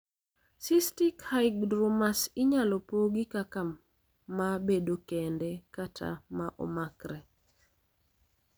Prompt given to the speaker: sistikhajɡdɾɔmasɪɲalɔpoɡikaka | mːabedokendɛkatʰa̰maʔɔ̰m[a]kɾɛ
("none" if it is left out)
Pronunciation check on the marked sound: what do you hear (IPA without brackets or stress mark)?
a